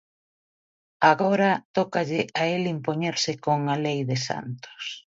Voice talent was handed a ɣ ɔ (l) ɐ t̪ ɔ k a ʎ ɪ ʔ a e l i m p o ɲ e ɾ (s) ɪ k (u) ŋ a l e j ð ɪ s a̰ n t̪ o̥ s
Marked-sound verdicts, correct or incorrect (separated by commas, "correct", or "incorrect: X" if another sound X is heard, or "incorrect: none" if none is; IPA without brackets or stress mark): incorrect: ɾ, correct, incorrect: o